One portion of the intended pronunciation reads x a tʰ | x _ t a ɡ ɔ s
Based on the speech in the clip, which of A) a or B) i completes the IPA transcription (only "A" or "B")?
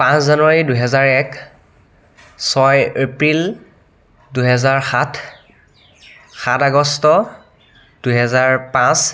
A